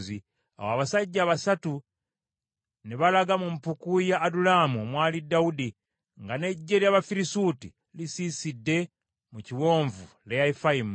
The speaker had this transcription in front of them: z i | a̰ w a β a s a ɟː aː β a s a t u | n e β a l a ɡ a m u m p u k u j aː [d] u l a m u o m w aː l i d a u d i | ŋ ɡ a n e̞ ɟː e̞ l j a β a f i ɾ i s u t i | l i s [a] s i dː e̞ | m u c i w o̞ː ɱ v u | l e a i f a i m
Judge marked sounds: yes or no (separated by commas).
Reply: yes, no